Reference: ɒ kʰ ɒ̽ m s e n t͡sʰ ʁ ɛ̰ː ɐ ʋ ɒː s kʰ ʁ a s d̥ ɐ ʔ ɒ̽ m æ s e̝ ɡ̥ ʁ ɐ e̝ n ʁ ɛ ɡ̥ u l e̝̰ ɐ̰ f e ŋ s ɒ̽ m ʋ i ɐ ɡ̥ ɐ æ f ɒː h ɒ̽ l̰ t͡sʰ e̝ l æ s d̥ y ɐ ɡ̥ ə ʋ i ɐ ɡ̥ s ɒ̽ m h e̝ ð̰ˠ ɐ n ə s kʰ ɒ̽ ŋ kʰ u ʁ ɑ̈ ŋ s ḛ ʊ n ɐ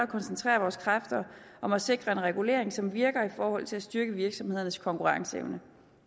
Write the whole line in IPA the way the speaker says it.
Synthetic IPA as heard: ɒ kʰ ɒ̽ n s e n t͡sʰ ʁ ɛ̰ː ɐ ʋ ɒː s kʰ ʁ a f d̥ ɐ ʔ ɒ̽ m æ s e̝ ɡ̥ ʁ ɐ e̝ n ʁ ɛ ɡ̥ u l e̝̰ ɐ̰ e ŋ s ɒ̽ m ʋ i ɐ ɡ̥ ɐ i f ɒː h ɒ̽ l̰ t͡sʰ e̝ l æ s d̥ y ɐ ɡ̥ ə ʋ i ɐ ɡ̥ s ɒ̽ m h e̝ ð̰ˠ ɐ n ə s kʰ ɒ̽ ŋ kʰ u ʁ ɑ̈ ŋ s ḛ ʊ n ə